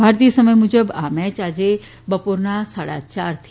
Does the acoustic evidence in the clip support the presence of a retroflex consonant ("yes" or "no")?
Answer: yes